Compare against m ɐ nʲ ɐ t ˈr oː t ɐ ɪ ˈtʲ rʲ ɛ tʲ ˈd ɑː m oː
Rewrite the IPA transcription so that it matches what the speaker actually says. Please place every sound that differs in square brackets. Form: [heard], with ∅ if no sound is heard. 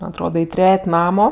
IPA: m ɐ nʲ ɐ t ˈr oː [d] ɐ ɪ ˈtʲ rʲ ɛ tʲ [ˈn] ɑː m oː